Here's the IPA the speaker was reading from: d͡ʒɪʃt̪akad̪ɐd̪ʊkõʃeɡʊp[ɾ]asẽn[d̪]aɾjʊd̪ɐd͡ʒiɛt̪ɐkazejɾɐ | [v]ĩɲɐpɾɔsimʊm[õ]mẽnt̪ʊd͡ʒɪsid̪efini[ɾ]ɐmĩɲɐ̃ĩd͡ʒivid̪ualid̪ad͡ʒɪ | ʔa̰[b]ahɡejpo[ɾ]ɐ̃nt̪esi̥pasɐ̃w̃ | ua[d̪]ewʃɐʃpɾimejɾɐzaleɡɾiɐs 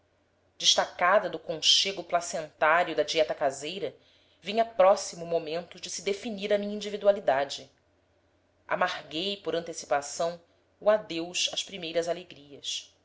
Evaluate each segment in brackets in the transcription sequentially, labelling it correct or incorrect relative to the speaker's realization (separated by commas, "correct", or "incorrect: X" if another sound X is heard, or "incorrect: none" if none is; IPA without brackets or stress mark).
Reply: incorrect: l, incorrect: t̪, correct, incorrect: o, correct, incorrect: m, correct, correct